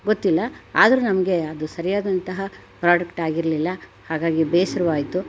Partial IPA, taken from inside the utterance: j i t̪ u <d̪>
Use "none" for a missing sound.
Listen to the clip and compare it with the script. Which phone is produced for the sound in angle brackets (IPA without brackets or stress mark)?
none